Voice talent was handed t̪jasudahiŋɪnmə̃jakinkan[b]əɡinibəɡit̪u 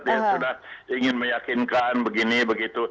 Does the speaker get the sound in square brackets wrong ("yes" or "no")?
no